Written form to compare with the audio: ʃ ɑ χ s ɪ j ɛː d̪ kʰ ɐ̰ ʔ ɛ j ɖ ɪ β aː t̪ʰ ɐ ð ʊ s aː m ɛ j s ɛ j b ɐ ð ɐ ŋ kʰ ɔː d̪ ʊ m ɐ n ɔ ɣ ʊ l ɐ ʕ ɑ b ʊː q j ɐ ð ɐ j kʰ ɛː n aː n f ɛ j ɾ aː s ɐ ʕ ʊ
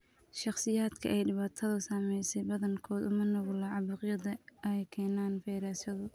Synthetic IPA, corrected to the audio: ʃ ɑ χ s ɪ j aː d̪ kʰ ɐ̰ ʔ ɛ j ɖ ɪ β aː t̪ʰ ɐ ð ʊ s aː m ɛ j s ɛ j b ɐ ð ɐ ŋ kʰ ɔː d̪ ʊ m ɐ n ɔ ɣ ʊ l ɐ ʕ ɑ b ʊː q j ɐ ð ɐ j kʰ ɛː n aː n f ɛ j ɾ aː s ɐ ð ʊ